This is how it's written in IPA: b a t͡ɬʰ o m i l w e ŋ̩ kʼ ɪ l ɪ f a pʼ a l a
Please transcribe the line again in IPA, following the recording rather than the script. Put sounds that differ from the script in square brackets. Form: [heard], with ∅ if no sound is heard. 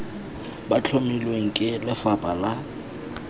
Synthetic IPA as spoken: b a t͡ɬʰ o m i l w e ŋ̩ kʼ ɪ l ɪ f a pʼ a l a